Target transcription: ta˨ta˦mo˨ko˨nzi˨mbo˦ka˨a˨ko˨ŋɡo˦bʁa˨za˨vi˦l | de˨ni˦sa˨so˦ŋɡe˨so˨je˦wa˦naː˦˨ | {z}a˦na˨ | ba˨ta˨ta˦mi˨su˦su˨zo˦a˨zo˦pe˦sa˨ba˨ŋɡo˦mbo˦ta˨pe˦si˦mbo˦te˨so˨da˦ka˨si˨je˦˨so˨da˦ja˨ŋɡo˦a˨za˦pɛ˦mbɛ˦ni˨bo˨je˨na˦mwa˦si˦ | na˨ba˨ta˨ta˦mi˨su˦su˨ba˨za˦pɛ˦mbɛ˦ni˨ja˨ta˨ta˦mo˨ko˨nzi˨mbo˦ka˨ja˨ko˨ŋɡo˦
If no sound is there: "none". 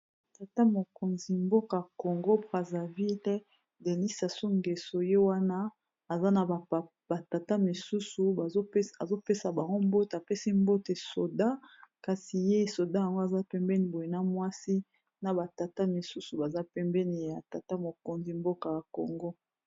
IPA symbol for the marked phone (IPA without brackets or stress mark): z